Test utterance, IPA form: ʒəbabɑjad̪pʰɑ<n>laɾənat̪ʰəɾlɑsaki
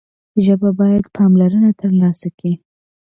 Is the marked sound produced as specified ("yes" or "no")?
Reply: no